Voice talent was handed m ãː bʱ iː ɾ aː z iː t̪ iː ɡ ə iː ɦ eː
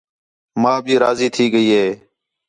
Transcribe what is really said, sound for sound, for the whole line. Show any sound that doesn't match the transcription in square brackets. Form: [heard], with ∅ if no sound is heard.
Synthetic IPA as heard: m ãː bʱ iː ɾ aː z iː [t̪ʰ] iː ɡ ə iː ɦ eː